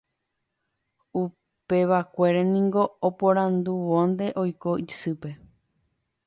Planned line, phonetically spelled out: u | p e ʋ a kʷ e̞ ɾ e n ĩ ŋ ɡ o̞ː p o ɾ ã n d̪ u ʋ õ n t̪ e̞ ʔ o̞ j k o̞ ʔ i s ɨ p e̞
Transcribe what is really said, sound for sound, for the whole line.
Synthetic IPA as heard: u | p e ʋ a kʷ e̞ ɾ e n ĩ ŋ ɡ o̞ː p o ɾ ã n d̪ u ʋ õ n d̪ e̞ ʔ o̞ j k o̞ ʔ i s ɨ p e̞